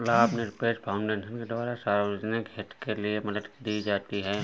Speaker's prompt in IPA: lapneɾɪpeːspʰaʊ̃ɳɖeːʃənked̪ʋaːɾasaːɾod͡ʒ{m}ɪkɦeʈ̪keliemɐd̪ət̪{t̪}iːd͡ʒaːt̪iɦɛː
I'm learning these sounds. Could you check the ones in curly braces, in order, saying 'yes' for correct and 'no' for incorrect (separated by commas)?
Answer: no, no